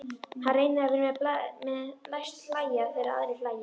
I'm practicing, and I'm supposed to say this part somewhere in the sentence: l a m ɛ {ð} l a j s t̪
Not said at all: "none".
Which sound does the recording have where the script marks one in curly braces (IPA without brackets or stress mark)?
ð